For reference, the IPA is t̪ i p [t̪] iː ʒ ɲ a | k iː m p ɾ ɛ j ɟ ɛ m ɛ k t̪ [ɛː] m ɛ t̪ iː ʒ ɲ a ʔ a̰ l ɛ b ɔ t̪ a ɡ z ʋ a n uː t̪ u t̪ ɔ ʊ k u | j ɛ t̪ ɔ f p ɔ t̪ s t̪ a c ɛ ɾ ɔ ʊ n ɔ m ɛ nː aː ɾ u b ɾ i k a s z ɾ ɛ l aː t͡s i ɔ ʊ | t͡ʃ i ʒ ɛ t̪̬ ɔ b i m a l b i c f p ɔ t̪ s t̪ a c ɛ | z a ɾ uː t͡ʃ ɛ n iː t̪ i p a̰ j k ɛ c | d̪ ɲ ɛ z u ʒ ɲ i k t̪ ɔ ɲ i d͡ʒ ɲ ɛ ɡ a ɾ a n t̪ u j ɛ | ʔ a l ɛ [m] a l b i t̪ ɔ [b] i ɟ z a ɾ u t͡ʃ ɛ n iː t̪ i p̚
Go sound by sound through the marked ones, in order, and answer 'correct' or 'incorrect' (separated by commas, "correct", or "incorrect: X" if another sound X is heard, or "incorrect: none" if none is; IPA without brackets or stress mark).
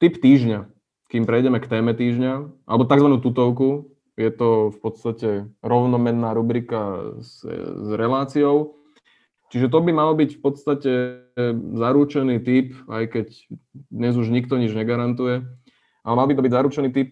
correct, correct, correct, correct